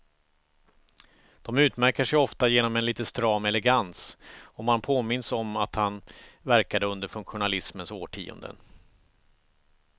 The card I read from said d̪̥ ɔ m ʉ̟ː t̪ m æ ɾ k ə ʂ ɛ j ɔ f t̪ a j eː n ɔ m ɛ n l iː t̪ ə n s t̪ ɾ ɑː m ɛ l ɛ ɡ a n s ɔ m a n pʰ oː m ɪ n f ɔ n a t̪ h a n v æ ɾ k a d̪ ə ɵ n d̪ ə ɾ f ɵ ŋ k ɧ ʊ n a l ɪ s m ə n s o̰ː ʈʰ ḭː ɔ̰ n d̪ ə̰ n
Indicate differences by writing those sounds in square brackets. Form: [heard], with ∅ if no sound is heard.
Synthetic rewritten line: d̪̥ ɔ m ʉ̟ː t̪ m æ ɾ k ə ʂ ɛ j ɔ f t̪ a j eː n ɔ m ɛ n l iː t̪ ə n s t̪ ɾ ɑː m ɛ l ɛ ɡ a n s ɔ m a n pʰ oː m ɪ n [s] ɔ [m] a t̪ h a n v æ ɾ k a d̪ ə ɵ n d̪ ə ɾ f ɵ ŋ k ɧ ʊ n a l ɪ s m ə n s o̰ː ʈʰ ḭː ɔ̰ n d̪ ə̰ n